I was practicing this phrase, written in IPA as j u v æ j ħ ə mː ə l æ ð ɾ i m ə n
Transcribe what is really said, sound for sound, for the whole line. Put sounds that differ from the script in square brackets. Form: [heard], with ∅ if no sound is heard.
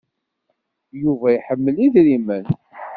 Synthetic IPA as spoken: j u v æ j ħ ə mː ə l [i] ð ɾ i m ə n